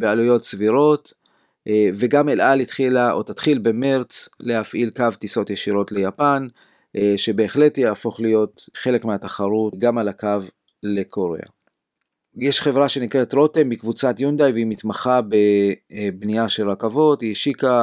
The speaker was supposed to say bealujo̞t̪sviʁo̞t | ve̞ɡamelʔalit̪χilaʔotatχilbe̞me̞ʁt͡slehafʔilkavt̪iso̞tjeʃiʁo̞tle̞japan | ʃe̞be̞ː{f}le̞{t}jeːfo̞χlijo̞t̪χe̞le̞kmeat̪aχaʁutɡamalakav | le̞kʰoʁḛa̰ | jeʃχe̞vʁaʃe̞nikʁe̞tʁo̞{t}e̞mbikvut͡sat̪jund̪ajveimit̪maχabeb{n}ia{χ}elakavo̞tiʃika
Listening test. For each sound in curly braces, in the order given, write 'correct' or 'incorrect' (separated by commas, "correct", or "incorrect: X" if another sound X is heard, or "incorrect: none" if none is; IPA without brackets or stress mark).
incorrect: χ, correct, correct, correct, incorrect: ʃ